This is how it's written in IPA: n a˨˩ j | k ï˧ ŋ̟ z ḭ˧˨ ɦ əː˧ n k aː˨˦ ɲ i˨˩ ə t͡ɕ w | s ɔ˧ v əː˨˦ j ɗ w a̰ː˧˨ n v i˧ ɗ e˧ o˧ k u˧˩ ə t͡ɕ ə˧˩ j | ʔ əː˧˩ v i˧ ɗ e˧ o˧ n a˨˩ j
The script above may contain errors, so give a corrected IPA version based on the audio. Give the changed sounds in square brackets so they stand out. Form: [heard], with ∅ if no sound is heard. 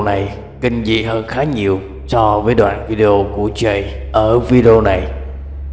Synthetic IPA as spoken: n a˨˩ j | k ï˧ ŋ̟ z ḭ˧˨ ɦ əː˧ n [x] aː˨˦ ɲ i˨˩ ə [∅] w | s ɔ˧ v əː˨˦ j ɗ w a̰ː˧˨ n v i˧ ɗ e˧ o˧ k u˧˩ ə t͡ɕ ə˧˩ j | ʔ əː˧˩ v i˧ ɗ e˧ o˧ n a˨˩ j